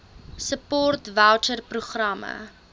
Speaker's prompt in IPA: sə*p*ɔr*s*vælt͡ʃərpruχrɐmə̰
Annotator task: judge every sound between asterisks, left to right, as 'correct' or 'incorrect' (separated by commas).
correct, incorrect